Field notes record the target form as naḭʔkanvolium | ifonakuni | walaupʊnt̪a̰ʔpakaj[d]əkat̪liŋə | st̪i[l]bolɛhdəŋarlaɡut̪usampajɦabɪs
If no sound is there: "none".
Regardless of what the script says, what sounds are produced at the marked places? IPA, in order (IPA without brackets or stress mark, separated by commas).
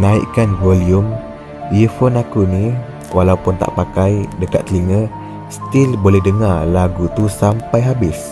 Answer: d, l